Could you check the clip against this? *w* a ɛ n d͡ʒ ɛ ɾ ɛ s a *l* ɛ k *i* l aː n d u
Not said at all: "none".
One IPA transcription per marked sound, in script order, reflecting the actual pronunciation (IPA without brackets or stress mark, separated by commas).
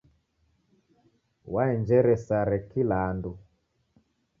w, ɾ, i